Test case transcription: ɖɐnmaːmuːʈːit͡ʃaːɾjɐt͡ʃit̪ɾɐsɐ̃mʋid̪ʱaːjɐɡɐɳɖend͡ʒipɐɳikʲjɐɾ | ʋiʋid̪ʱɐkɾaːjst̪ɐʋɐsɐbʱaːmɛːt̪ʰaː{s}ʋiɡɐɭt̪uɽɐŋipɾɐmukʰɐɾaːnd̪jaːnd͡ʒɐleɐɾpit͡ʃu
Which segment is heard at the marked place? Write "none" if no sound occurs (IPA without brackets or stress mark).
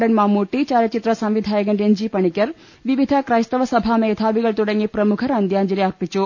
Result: none